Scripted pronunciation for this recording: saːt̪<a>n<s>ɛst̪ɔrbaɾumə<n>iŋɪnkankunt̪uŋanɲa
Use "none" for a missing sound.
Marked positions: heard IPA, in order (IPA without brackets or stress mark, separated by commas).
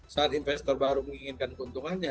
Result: i, f, ŋ